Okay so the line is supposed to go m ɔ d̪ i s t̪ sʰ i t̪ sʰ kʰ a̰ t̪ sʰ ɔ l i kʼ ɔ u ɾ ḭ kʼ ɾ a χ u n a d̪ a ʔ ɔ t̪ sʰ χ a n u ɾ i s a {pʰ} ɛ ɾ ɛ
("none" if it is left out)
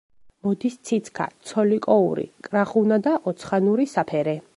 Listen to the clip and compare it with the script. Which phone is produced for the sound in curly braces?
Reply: pʰ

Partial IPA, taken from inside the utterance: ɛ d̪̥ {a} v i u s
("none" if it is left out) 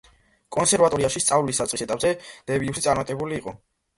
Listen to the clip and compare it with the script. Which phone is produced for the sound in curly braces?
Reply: ɛ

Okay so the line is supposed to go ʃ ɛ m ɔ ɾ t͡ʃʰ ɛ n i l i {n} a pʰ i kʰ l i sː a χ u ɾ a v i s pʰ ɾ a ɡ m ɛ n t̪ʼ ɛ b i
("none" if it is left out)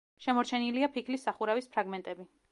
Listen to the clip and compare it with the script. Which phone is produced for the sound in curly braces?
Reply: none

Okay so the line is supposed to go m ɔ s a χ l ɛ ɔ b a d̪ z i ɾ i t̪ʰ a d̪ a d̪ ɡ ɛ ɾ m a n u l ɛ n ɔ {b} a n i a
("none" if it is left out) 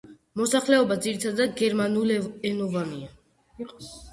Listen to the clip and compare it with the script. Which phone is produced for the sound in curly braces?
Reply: v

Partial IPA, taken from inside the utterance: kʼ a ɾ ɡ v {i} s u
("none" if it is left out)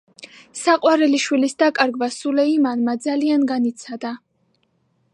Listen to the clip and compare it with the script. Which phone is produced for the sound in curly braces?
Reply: a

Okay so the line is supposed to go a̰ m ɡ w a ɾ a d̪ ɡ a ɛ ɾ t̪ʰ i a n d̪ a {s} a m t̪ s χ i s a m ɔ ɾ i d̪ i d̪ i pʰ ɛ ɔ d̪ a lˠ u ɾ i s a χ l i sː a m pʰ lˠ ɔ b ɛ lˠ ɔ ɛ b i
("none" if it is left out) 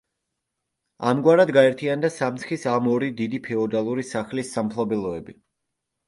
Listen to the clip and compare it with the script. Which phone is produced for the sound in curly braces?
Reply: s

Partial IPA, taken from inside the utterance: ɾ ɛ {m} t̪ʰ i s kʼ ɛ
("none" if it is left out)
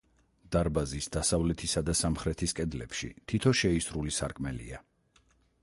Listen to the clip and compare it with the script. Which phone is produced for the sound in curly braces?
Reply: none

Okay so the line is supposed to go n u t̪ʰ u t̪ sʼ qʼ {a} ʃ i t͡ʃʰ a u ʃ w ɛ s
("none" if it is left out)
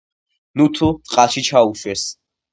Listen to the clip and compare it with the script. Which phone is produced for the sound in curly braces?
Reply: a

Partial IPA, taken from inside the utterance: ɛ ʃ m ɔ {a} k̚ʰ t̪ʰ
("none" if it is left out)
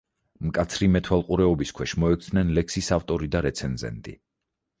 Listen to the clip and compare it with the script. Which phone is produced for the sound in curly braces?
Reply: ɛ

